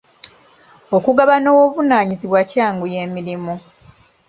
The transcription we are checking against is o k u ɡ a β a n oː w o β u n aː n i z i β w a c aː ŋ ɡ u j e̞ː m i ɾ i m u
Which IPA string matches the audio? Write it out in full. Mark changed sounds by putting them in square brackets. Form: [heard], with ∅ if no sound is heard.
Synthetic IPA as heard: o k u ɡ a β a n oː w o β u n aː [ɲ] i z i β w a c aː ŋ ɡ u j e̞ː m i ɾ i m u